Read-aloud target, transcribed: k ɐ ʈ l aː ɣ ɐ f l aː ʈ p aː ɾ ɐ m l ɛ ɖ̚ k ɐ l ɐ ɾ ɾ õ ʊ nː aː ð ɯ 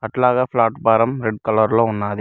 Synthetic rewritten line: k ɐ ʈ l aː ɣ ɐ f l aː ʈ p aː ɾ ɐ m ɾ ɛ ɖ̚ k ɐ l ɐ ɾ l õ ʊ nː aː ð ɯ